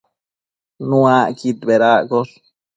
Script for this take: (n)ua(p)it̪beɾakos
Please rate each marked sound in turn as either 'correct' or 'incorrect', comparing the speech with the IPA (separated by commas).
correct, incorrect